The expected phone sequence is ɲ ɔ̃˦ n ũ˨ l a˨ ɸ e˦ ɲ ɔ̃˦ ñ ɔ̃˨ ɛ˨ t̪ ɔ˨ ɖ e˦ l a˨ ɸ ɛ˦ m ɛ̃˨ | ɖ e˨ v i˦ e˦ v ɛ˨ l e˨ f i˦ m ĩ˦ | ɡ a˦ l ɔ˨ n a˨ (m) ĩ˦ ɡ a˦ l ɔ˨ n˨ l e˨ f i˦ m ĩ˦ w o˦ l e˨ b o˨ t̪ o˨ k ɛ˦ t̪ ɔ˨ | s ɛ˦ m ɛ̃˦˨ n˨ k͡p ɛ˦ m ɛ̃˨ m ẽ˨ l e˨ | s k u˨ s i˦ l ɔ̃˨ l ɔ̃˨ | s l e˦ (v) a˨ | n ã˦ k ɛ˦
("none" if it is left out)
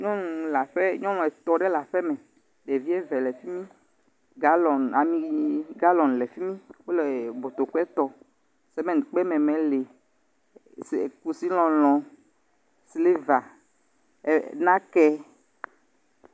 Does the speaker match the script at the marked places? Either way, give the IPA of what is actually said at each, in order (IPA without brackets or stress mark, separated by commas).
m, v